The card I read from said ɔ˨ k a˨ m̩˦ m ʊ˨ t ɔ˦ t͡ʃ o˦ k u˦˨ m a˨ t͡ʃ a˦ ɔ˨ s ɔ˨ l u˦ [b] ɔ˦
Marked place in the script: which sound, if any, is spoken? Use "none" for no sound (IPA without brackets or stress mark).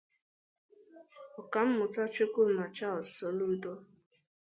d